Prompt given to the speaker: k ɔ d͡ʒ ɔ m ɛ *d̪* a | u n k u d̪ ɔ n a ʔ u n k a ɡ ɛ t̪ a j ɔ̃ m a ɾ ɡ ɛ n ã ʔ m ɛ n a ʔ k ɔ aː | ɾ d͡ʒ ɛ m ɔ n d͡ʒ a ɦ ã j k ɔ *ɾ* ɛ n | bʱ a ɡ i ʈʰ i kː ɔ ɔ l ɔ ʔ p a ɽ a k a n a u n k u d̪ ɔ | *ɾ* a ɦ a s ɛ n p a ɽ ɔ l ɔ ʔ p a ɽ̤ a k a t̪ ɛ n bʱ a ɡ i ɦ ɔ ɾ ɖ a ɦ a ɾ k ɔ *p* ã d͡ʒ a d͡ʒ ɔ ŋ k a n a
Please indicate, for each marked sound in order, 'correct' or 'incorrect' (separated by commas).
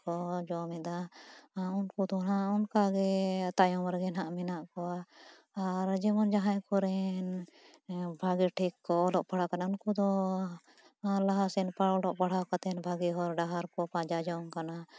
correct, correct, incorrect, correct